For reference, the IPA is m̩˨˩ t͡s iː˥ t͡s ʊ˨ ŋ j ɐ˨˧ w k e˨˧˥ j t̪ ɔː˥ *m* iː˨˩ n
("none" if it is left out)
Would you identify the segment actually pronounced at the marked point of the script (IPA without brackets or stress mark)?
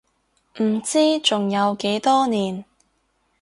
n